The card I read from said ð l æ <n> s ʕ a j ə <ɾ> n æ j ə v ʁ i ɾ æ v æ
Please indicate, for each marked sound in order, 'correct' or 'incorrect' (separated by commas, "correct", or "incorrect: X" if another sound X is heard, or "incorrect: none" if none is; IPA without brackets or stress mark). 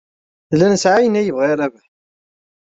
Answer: correct, incorrect: none